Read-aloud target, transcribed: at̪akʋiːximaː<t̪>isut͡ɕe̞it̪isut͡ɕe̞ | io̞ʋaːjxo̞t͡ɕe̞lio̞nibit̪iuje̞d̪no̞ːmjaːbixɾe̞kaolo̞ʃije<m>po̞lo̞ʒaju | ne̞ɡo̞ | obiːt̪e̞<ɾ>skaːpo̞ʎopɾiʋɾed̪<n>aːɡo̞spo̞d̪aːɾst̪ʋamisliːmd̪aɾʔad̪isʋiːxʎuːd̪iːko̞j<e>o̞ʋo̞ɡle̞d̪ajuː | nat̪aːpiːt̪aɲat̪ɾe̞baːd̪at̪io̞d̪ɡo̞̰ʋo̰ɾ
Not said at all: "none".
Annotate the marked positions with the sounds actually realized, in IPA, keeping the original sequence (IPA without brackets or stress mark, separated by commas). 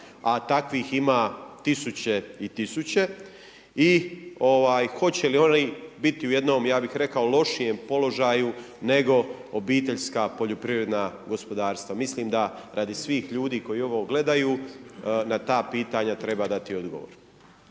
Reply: t̪, m, ʎ, n, i